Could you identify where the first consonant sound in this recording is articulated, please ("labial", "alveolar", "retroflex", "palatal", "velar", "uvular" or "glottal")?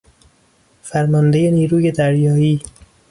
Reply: labial